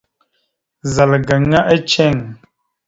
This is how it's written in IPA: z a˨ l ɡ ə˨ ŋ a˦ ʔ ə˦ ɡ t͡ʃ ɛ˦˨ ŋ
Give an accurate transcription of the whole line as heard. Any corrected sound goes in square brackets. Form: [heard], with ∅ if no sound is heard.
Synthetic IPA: z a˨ l ɡ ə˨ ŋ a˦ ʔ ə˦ [∅] t͡ʃ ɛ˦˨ ŋ